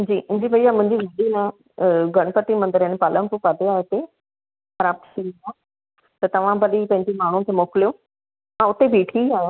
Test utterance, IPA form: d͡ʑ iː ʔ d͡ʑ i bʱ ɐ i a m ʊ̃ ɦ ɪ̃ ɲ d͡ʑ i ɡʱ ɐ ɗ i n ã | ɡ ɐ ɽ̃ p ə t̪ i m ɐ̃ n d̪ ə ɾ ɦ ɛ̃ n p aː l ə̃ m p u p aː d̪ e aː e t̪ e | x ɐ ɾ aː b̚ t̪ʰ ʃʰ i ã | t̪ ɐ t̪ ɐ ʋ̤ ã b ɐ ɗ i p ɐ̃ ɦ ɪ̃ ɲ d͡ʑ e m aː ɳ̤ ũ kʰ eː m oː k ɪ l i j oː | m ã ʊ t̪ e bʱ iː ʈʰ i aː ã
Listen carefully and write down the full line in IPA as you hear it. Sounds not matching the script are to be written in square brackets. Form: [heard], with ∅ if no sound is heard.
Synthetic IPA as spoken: d͡ʑ iː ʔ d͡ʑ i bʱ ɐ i a m ʊ̃ ɦ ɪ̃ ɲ d͡ʑ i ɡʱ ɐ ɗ i n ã | ɡ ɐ ɽ̃ p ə t̪ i m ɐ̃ n d̪ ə ɾ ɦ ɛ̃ n p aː l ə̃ m p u p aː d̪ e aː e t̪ e | x ɐ ɾ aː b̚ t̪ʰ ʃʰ i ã | t̪ ɐ t̪ ɐ ʋ̤ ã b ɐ ɗ i p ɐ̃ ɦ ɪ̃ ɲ d͡ʑ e m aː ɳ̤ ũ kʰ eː m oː k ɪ l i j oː | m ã ʊ t̪ e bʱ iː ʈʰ i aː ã